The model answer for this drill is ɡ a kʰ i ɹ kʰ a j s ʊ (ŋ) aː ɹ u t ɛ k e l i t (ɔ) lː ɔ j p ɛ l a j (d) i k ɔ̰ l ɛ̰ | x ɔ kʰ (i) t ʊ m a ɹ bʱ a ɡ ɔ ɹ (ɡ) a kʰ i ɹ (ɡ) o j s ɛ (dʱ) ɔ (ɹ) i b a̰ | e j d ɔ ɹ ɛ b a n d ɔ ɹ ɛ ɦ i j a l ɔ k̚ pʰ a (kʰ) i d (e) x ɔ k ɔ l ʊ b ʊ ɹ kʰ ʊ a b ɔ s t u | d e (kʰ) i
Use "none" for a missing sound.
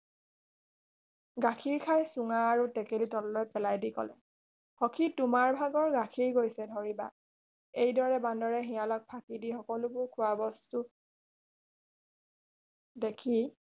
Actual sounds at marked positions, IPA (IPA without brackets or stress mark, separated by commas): ŋ, ɔ, d, i, ɡ, ɡ, dʱ, ɹ, k, i, kʰ